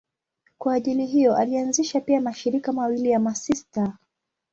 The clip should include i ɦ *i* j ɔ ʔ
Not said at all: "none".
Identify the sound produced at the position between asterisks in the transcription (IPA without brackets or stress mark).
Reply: i